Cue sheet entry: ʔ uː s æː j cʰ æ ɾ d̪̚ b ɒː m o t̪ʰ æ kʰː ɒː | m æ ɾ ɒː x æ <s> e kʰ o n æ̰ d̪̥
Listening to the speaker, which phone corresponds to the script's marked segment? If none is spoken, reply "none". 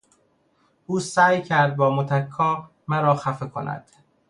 f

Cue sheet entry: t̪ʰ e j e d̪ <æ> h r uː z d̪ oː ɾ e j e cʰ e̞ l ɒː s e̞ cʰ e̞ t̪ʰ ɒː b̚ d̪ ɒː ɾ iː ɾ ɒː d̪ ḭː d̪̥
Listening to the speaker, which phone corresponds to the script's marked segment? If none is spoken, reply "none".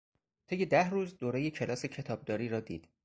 æ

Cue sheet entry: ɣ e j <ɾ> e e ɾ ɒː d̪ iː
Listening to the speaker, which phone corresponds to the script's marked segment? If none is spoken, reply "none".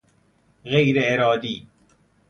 ɾ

